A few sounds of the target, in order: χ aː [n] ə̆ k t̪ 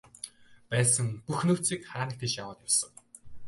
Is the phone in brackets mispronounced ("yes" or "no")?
no